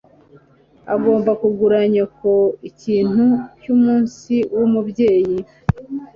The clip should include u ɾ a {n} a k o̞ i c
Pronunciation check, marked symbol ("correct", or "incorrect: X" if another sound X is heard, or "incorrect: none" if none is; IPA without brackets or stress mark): incorrect: ɲ